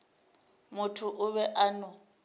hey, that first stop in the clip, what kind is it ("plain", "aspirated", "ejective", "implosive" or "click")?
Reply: aspirated